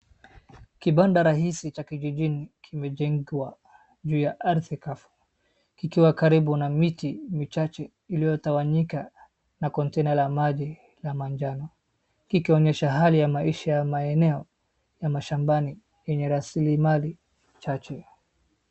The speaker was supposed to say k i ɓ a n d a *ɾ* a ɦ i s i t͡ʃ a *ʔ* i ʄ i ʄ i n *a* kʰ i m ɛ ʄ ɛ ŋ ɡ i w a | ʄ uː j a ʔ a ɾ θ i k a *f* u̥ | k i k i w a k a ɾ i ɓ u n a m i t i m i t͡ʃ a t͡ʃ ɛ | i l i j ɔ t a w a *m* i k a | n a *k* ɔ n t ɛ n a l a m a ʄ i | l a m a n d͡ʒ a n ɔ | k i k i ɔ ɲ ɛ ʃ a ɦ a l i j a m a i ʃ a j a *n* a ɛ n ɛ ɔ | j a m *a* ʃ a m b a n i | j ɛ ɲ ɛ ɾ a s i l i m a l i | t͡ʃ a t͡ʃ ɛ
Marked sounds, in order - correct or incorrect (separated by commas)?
correct, incorrect, incorrect, correct, incorrect, correct, incorrect, correct